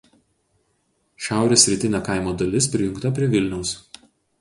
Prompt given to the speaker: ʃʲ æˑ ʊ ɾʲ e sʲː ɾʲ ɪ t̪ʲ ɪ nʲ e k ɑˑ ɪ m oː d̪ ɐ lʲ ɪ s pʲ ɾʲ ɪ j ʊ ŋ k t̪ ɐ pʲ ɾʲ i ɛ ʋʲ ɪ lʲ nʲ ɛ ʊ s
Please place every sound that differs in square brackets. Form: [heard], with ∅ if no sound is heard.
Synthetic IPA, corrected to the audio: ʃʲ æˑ ʊ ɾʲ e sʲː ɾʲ ɪ t̪ʲ ɪ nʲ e k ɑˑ ɪ m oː d̪ ɐ lʲ ɪ s pʲ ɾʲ ɪ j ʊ ŋ k t̪ ɐ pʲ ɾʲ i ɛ ʋʲ ɪ lʲ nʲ ɛ ʊ s